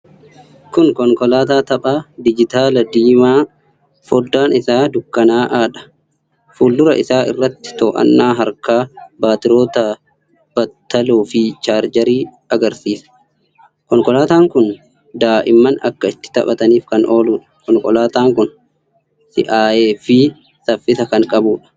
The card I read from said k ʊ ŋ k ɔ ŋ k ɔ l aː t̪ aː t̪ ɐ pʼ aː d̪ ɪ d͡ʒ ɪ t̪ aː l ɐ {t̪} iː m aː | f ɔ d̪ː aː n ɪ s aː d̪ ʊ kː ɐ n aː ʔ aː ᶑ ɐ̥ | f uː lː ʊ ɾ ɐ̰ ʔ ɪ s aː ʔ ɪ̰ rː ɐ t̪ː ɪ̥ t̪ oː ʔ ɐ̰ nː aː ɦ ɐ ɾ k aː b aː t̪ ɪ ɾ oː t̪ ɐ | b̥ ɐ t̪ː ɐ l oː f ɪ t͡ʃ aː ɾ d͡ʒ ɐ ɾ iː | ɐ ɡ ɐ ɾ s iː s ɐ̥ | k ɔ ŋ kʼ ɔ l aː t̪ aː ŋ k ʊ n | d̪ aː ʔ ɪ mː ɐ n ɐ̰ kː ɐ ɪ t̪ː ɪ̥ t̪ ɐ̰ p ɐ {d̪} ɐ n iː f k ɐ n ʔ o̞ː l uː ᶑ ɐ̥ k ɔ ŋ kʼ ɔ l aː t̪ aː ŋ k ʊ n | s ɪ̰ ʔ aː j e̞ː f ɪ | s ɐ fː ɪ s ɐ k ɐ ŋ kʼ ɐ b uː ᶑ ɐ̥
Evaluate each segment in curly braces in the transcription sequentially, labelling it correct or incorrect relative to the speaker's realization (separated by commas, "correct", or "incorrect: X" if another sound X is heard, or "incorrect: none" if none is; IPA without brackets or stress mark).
incorrect: d̪, incorrect: t̪